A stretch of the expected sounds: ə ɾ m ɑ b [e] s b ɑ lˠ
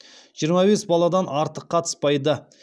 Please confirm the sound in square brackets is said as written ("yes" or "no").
yes